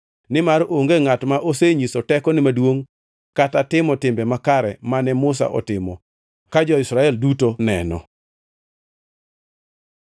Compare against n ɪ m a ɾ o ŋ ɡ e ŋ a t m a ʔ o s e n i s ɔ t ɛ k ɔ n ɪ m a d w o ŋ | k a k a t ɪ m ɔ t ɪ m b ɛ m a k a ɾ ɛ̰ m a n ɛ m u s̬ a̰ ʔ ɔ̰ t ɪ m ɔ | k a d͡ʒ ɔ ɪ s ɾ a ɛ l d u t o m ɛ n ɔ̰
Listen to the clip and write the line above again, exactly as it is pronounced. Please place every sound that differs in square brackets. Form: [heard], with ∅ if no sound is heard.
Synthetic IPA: n ɪ m a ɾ o ŋ ɡ e ŋ a t m a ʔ o s e [ɲ] i s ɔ t ɛ k ɔ n ɪ m a d w o ŋ | k a [t] a t ɪ m ɔ t ɪ m b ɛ m a k a ɾ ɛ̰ m a n ɛ m [ʊ] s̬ a̰ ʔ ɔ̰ t ɪ m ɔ | k a d͡ʒ ɔ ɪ s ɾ a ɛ l d u t o [n] ɛ n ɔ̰